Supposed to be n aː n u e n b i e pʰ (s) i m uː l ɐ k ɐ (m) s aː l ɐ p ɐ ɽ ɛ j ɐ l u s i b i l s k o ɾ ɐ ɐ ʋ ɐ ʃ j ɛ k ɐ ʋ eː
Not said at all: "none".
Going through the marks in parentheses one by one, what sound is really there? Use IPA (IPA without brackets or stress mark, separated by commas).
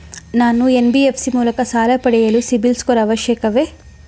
s, none